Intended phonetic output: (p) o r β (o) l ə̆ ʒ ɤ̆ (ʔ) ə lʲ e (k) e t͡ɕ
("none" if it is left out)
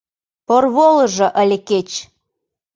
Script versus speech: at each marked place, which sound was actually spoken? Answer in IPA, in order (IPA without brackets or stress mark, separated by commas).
p, o, ʔ, k